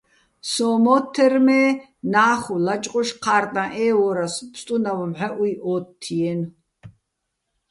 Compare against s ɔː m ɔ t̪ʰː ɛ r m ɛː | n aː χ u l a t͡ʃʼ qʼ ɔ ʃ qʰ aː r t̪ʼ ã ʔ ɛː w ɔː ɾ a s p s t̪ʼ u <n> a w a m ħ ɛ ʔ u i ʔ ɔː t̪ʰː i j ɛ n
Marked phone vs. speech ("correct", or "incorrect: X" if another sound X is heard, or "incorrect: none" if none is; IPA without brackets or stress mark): correct